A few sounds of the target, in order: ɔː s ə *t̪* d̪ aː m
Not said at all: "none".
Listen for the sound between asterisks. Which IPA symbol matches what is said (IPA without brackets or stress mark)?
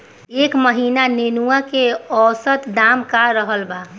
t̪